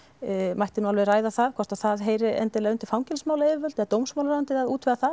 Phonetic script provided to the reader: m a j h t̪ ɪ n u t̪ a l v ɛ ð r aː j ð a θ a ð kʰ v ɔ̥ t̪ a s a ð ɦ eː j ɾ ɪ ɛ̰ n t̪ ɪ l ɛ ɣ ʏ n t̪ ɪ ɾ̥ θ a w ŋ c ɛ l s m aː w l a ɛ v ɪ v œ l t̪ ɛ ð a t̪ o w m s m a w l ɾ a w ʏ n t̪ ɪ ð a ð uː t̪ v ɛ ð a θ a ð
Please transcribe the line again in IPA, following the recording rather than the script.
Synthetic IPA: m a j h t̪ ɪ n u a l v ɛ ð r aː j ð a θ a ð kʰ v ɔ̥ t̪ a θ a ð ɦ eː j ɾ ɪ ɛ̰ n t̪ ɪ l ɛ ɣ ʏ n t̪ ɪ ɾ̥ f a w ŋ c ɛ l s m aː w l a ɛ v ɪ v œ l t̪ ɛ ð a t̪ o w m s m a w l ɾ a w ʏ n t̪ ɪ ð a ð uː t̪ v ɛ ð a θ a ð